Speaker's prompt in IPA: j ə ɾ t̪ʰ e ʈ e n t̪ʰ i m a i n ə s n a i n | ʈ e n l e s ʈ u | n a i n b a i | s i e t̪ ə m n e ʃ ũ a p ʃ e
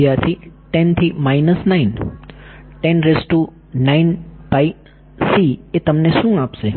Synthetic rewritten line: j a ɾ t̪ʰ i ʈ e n t̪ʰ i m a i n ə s n a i n | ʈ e n ɾ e s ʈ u | n a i n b a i | s i e t̪ ə m n e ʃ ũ a p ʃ e